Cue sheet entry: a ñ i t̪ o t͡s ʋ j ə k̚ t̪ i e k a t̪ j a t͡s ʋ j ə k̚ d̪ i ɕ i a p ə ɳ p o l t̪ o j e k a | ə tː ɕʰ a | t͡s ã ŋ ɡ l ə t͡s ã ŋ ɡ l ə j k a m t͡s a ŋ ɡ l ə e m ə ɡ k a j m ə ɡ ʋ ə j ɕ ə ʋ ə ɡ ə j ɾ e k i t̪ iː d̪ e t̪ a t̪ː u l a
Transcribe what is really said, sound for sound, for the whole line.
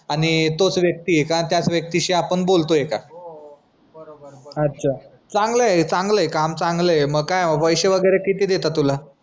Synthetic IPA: a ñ i t̪ o t͡s ʋ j ə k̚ t̪ i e k a t̪ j a t͡s ʋ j ə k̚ t̪ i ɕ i a p ə ɳ b o l t̪ o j e k a | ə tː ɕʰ a | t͡s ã ŋ ɡ l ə t͡s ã ŋ ɡ l ə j k a m t͡s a ŋ ɡ l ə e m ə ɡ k a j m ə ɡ ʋ ə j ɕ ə ʋ ə ɡ ə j ɾ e k i t̪ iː d̪ e t̪ a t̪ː u l a